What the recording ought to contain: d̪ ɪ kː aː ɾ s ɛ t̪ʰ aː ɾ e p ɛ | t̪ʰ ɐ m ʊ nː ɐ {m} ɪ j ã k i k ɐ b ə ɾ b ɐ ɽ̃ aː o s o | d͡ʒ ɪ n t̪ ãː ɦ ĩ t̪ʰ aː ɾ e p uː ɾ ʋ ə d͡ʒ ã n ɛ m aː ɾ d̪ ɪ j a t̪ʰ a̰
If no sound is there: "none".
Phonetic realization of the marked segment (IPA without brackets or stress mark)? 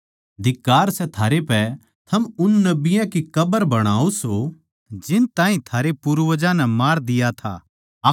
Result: b